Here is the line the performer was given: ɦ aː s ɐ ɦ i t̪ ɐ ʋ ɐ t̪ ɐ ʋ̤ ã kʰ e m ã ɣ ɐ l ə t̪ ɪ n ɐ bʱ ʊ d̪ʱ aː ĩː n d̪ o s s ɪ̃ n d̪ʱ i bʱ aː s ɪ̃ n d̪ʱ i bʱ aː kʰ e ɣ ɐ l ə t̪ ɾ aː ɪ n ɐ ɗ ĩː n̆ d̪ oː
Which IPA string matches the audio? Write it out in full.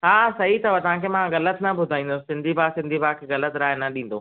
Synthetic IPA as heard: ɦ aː s ɐ ɦ i t̪ ɐ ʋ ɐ t̪ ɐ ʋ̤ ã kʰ e m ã ɣ ɐ l ə t̪ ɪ n ɐ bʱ ʊ d̪ʱ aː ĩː n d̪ o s s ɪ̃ n d̪ʱ i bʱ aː s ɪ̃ n d̪ʱ i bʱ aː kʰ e ɣ ɐ l ə t̪ ɾ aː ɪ n ɐ ɗ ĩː n̆ d̪ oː